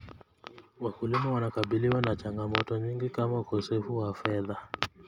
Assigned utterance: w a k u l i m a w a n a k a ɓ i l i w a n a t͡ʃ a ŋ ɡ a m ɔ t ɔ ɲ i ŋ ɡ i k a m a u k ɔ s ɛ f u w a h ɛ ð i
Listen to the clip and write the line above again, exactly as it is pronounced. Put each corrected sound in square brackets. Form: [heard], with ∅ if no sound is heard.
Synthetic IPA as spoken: w a k u l i m a w a n a k a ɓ i l i w a n a t͡ʃ a ŋ ɡ a m ɔ t ɔ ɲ i ŋ ɡ i k a m a u k ɔ s ɛ f u w a [f] ɛ ð [a]